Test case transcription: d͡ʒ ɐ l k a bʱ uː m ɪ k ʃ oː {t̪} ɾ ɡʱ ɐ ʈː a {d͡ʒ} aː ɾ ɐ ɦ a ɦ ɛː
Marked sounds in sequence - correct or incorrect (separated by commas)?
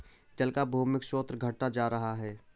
correct, correct